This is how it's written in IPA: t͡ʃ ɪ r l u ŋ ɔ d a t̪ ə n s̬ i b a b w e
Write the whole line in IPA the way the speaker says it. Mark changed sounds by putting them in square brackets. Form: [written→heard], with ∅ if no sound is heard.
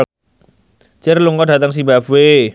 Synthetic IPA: t͡ʃ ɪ r l u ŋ ɔ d a t̪ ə [n→ŋ] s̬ i b a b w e